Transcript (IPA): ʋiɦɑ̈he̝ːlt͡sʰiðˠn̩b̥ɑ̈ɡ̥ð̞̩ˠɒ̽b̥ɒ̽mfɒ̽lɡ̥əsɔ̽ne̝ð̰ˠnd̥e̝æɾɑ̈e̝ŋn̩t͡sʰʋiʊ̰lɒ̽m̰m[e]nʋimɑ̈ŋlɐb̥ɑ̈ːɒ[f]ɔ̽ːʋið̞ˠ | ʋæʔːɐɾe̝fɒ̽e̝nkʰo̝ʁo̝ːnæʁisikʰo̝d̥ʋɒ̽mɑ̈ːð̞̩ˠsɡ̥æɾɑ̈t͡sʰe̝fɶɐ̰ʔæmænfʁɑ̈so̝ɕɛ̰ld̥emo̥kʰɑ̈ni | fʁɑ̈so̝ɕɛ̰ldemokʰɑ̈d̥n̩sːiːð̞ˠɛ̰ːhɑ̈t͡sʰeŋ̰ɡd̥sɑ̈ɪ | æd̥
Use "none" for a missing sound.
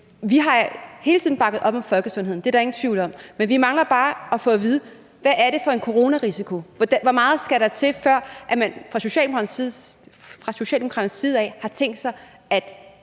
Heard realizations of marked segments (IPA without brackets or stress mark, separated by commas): e, f